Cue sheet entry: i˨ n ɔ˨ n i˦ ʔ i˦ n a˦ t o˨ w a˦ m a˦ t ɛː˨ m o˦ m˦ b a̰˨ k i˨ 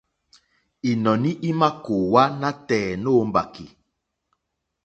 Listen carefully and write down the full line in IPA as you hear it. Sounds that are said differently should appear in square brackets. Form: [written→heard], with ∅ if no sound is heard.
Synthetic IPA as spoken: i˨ n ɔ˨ n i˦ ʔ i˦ [n→m] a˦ [t→k] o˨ w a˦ [m→n] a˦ t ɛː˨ [m→n] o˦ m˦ b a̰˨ k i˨